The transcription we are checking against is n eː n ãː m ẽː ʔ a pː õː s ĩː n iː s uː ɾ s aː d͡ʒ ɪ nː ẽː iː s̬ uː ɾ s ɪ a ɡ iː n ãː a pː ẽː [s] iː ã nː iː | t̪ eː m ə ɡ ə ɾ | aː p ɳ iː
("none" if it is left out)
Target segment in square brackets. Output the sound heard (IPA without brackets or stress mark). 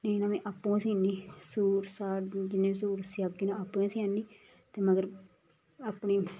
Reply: s